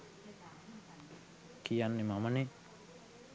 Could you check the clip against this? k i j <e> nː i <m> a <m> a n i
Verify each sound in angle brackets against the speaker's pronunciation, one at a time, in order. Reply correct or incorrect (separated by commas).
incorrect, correct, correct